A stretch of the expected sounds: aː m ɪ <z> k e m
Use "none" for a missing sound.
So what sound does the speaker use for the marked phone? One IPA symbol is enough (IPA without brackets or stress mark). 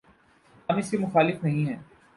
s